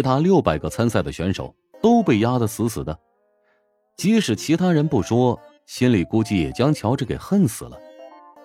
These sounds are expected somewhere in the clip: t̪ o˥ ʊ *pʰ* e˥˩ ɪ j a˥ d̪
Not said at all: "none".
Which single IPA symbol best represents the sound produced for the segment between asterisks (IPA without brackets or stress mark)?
p